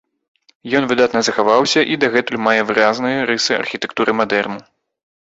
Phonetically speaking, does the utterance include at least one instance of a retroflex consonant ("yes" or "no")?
no